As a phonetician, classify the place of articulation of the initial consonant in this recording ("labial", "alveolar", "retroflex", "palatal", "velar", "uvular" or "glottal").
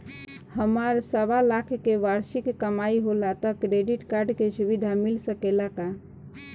glottal